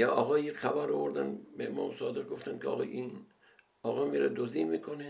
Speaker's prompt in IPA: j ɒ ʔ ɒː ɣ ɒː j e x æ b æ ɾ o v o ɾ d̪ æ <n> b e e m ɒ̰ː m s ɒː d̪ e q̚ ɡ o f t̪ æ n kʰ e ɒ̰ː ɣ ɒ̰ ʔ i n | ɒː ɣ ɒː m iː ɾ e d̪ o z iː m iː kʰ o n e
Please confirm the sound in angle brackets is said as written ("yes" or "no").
yes